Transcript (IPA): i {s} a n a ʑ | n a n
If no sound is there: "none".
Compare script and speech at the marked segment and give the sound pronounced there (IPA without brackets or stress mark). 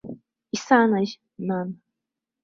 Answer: s